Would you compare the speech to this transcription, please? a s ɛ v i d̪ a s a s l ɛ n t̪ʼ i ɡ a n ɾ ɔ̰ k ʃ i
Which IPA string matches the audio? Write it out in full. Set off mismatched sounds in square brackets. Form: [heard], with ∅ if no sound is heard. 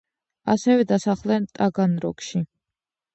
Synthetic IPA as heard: a s ɛ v [ɛ] d̪ a s a [χ] l ɛ n t̪ʼ [a] ɡ a n ɾ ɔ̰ k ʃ i